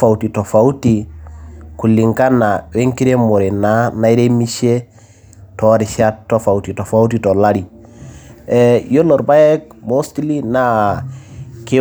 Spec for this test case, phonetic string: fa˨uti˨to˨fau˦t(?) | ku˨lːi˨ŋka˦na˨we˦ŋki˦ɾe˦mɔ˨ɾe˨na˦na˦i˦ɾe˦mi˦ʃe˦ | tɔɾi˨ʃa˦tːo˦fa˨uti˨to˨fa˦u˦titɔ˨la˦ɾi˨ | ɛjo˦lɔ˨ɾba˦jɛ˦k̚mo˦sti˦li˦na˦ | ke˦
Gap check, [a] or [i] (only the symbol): i